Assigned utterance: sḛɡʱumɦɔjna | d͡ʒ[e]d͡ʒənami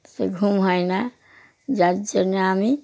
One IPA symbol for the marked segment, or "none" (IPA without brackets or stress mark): a